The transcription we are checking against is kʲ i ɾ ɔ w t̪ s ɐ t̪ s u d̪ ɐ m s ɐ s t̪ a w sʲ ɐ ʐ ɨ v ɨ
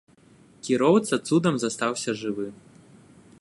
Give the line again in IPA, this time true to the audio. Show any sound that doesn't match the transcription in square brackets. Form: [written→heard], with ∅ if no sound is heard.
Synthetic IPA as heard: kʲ i ɾ ɔ w t̪ s ɐ t̪ s u d̪ ɐ m [s→z] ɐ s t̪ a w sʲ ɐ ʐ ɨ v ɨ